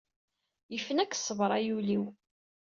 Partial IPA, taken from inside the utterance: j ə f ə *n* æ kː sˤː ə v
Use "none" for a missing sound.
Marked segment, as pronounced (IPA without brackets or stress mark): n